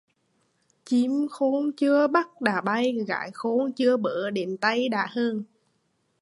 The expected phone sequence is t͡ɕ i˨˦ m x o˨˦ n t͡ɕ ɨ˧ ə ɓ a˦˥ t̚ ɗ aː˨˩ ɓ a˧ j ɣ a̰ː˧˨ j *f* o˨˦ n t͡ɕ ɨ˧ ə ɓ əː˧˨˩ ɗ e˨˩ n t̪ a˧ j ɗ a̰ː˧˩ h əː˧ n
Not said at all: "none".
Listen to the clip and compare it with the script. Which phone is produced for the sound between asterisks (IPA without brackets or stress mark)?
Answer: x